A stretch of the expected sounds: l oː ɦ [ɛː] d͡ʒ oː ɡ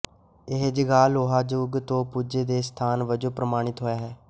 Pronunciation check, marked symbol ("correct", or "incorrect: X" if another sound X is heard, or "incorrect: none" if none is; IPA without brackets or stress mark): incorrect: aː